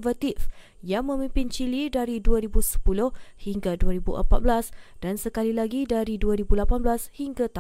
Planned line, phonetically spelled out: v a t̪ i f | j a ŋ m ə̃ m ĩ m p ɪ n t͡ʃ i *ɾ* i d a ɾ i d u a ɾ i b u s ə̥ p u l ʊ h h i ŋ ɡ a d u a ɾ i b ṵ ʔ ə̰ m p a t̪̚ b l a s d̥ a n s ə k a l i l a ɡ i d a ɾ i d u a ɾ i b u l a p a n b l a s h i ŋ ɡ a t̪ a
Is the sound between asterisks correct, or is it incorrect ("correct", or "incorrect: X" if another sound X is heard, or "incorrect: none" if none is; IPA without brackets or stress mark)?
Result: incorrect: l